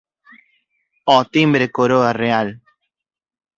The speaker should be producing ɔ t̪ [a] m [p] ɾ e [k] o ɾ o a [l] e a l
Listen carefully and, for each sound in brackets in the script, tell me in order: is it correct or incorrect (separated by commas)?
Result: incorrect, incorrect, correct, incorrect